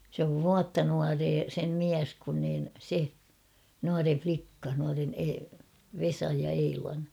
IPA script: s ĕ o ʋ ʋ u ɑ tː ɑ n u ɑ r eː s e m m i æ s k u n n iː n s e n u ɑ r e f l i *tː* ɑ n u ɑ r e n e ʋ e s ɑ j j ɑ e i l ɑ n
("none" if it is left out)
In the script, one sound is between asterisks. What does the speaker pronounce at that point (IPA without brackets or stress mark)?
kː